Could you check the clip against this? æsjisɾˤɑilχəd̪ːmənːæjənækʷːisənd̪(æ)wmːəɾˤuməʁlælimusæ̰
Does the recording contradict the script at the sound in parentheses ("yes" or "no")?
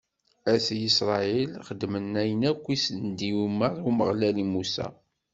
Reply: yes